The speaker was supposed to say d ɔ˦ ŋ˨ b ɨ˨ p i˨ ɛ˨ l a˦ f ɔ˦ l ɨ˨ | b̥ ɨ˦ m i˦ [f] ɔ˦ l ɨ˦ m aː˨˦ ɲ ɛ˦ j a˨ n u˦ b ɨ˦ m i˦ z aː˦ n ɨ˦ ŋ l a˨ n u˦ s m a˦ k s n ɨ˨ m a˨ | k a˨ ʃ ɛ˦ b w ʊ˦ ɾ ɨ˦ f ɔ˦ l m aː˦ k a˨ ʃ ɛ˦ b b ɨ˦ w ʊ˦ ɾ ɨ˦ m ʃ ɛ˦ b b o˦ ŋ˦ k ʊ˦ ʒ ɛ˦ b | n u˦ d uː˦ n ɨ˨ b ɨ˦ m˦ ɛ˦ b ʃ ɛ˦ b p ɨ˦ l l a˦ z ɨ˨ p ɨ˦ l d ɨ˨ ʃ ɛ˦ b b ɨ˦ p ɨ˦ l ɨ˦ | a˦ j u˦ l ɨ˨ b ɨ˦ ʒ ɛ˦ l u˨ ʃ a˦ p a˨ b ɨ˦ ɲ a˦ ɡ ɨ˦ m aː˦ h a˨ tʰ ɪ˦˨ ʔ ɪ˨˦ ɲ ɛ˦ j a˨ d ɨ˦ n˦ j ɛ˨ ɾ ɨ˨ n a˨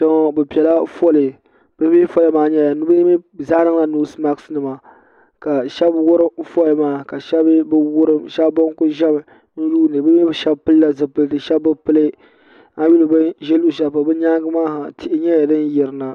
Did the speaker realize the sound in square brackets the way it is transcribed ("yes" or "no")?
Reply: yes